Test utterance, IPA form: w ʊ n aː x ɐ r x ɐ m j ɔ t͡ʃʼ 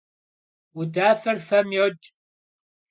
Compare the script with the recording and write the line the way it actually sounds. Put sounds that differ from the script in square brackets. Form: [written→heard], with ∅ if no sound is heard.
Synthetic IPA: w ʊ [n→d] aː [x→f] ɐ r [x→f] ɐ m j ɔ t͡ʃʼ

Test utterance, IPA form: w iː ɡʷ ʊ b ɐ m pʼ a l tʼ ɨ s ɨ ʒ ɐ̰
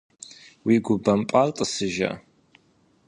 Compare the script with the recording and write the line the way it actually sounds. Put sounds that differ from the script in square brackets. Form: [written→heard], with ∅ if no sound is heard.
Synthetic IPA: w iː ɡʷ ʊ b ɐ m pʼ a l tʼ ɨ s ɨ ʒ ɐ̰

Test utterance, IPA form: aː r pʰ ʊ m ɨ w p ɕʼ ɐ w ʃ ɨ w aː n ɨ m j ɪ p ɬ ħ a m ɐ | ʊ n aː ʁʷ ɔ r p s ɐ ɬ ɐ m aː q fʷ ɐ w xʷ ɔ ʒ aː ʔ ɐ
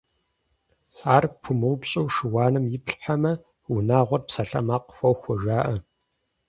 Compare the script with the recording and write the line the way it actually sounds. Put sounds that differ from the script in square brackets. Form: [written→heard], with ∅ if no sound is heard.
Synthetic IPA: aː r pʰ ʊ m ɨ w p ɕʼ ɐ w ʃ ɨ w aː n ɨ m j ɪ p ɬ ħ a m ɐ | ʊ n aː ʁʷ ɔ r p s ɐ ɬ ɐ m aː q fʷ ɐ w xʷ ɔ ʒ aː ʔ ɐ

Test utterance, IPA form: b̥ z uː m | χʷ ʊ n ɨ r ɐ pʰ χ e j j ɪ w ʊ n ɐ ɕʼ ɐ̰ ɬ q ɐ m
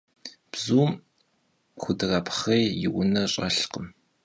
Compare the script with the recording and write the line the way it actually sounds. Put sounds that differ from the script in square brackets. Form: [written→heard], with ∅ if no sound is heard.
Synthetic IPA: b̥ z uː m | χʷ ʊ [n→d] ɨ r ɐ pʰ χ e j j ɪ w ʊ n ɐ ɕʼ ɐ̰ ɬ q [ɐ→ə] m

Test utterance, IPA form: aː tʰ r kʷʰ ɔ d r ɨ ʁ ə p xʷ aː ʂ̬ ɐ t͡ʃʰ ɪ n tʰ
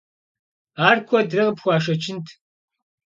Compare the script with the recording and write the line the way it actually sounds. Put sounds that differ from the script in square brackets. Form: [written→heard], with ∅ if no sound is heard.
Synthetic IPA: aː [tʰ→∅] r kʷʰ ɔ d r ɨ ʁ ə p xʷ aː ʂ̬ ɐ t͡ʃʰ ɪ n tʰ

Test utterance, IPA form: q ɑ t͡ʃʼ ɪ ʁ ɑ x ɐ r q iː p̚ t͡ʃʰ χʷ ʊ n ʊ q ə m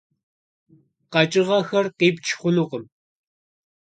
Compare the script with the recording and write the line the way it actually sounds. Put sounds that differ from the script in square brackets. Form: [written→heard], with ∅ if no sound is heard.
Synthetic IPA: q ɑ t͡ʃʼ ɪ ʁ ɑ x ɐ r q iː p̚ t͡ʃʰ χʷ ʊ n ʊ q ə m

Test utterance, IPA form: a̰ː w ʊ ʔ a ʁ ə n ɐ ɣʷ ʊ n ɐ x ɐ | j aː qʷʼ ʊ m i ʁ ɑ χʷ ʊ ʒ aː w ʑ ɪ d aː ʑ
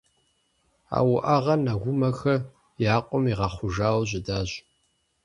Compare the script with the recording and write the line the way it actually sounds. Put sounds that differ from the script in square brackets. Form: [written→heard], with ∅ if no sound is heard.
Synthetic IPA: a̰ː w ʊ ʔ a ʁ [ə→ɐ] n ɐ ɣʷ ʊ [n→m] ɐ x ɐ | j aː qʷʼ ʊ m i ʁ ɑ χʷ ʊ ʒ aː w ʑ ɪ d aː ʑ

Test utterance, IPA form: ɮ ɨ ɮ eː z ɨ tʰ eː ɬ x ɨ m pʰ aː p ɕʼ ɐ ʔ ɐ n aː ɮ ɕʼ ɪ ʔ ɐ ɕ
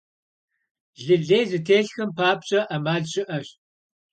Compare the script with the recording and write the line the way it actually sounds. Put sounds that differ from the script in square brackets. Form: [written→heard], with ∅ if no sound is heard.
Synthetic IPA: ɮ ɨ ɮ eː z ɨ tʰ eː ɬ x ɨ m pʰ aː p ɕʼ ɐ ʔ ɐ [n→m] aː ɮ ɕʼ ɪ ʔ ɐ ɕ

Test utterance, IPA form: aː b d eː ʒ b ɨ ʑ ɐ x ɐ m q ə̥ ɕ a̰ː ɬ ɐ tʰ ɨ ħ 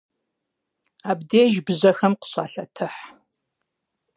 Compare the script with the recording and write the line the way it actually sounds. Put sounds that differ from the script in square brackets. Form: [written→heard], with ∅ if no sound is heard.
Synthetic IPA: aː b d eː ʒ b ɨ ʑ ɐ x ɐ m q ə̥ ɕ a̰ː ɬ ɐ tʰ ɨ ħ

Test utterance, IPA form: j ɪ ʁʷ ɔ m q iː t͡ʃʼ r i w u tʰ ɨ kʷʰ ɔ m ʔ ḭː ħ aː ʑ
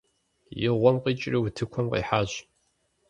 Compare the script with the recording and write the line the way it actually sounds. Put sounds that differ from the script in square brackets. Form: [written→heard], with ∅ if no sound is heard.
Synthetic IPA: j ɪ ʁʷ ɔ m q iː t͡ʃʼ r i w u tʰ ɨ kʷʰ ɔ m [ʔ→q] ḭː ħ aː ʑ

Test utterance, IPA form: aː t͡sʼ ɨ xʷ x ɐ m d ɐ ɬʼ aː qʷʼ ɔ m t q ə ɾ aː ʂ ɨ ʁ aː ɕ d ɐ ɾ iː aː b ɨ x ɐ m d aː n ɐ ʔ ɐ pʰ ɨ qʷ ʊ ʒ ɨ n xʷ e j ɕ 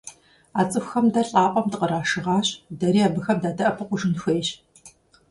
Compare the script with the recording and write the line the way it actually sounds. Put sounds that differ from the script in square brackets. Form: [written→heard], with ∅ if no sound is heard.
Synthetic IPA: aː t͡sʼ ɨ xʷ x ɐ m d ɐ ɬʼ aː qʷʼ ɔ m t q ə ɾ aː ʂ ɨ ʁ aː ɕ d ɐ ɾ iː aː b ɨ x ɐ m d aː [n→d] ɐ ʔ ɐ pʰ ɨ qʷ ʊ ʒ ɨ n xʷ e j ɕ

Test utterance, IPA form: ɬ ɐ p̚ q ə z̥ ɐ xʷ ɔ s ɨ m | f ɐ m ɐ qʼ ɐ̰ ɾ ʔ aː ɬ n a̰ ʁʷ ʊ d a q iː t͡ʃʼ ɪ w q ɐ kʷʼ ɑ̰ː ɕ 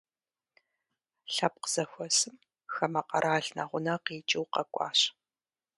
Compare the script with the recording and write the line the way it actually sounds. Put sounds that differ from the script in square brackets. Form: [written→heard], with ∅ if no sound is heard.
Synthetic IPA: ɬ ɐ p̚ q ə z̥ ɐ xʷ ɔ s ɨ m | [f→x] ɐ m ɐ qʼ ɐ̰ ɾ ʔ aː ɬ n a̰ ʁʷ ʊ [d→n] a q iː t͡ʃʼ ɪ w q ɐ kʷʼ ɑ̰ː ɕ

